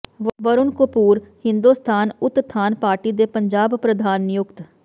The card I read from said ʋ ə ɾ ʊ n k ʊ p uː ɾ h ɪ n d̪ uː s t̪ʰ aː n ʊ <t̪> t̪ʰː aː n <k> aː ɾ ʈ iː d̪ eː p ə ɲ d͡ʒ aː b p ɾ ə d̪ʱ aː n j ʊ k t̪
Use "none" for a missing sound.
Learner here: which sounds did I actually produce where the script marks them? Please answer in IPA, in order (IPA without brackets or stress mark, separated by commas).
t̪, p